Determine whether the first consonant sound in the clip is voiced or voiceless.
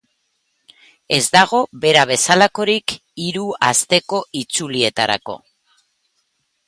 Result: voiced